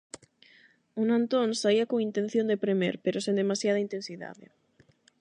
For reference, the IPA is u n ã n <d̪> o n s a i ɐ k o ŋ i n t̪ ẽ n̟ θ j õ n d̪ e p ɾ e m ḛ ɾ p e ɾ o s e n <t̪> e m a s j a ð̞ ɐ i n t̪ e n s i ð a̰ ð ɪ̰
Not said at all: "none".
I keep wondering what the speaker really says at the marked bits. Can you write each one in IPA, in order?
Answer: t̪, d̪

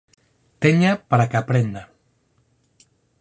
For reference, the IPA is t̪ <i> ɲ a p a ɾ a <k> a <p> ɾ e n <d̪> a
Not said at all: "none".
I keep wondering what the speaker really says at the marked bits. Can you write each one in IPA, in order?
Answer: e, k, p, d̪

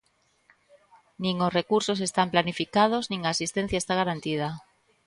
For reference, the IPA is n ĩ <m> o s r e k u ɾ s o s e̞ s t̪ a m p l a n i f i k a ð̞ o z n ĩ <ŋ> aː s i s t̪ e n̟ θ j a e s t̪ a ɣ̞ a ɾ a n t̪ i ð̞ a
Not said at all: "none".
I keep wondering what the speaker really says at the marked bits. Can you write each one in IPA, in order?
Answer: ŋ, ŋ

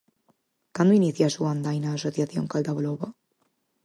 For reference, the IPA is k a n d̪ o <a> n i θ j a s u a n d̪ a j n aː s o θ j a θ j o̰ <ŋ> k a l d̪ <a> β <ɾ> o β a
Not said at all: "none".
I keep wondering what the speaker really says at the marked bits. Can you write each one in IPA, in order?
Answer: i, ŋ, a, l

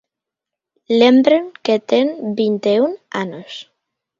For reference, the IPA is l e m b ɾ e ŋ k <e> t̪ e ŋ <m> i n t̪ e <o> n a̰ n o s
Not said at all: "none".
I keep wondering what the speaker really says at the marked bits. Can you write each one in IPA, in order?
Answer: e, b, u

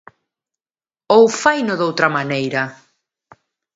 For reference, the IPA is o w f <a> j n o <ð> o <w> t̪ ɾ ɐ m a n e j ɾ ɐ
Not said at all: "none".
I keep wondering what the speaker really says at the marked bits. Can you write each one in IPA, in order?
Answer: a, ð, w

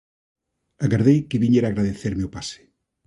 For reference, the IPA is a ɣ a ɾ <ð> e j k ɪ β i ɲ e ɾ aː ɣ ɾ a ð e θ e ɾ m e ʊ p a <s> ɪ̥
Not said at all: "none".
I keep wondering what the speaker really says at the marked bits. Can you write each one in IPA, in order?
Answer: ð, s

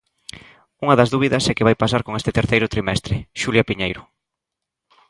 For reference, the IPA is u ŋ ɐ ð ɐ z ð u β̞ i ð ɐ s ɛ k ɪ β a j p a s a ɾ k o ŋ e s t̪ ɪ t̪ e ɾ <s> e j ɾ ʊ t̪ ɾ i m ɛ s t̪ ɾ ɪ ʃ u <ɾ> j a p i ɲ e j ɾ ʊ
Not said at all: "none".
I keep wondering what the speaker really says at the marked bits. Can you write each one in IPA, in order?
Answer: θ, l

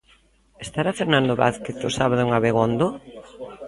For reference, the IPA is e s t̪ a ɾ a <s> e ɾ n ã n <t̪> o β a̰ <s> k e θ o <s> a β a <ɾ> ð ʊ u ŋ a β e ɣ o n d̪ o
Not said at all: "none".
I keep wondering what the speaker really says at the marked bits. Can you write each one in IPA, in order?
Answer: f, d̪, θ, s, none

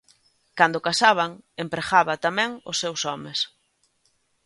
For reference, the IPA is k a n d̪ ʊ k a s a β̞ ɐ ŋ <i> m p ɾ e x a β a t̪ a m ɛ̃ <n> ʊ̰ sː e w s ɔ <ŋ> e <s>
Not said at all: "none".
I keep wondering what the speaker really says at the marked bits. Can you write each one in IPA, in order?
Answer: e, ŋ, m, s

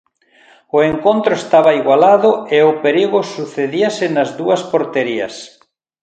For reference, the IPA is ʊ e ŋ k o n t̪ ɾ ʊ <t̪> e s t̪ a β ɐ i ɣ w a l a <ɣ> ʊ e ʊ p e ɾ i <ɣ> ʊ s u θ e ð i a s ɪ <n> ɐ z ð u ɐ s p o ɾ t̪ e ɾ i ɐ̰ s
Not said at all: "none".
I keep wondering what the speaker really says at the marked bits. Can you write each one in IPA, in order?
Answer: none, ð, ɣ, n

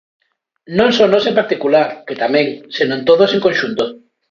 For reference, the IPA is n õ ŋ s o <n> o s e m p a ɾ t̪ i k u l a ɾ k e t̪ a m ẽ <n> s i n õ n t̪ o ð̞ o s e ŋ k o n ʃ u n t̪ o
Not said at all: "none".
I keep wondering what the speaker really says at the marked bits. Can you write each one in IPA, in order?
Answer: n, ŋ

